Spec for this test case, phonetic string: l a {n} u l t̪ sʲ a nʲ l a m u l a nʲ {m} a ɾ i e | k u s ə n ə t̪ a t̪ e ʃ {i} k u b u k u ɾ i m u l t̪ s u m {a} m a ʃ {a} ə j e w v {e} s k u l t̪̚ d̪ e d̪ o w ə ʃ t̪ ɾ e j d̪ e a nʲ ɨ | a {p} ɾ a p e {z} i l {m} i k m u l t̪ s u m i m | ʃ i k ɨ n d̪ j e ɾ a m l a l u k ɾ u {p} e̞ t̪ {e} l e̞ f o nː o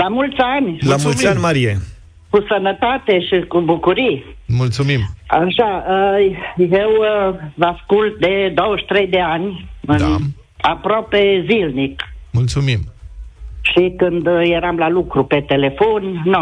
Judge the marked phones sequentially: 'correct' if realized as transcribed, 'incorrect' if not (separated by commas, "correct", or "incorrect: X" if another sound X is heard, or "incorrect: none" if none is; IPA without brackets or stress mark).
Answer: incorrect: m, correct, correct, incorrect: i, correct, incorrect: a, correct, correct, incorrect: n, correct, correct